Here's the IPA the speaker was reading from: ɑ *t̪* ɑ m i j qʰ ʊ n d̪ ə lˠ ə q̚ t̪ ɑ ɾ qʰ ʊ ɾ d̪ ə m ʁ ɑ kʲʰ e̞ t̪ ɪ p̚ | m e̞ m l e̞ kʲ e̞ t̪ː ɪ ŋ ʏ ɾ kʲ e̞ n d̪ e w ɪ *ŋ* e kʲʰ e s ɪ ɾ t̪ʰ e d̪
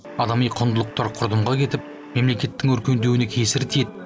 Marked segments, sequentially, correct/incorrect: incorrect: d̪, incorrect: n

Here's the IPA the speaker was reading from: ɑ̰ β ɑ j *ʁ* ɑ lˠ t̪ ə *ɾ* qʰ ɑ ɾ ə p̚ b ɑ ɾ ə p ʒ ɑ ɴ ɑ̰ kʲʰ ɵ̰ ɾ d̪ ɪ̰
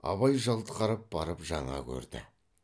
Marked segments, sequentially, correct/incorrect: incorrect: ʒ, incorrect: none

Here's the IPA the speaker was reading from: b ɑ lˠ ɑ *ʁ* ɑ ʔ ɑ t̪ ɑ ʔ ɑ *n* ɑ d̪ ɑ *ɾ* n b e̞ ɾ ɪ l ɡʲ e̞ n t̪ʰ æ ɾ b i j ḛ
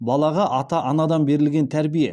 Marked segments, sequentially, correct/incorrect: correct, correct, incorrect: none

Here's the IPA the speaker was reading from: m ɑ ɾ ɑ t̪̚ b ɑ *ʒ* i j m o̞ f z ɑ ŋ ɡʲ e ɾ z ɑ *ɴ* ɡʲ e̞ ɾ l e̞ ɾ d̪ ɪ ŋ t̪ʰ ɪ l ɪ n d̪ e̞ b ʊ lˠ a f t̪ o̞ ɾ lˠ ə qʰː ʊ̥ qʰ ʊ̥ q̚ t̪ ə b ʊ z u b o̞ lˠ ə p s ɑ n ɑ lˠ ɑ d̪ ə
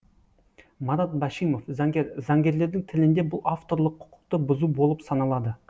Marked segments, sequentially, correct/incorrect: incorrect: ʃ, incorrect: ŋ

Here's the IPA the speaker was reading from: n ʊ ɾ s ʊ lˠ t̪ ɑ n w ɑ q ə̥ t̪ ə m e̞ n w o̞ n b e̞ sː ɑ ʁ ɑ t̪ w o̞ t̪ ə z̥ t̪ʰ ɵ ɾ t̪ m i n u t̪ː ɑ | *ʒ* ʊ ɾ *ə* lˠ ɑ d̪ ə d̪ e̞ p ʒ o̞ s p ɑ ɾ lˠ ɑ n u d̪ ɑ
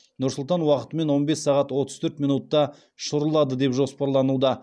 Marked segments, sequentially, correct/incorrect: incorrect: ʃ, correct

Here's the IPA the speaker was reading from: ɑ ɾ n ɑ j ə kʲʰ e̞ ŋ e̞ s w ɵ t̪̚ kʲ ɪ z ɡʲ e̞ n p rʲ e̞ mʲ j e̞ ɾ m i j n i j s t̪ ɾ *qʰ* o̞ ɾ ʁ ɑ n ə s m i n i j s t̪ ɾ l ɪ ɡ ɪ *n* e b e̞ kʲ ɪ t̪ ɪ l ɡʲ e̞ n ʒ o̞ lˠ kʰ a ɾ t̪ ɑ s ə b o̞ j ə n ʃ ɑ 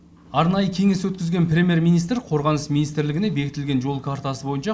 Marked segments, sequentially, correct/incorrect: correct, correct

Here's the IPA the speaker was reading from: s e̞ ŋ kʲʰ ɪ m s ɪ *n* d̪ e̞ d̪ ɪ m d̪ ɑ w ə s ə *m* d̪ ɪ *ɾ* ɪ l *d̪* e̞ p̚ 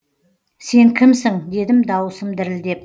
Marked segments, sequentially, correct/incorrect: incorrect: ŋ, correct, correct, correct

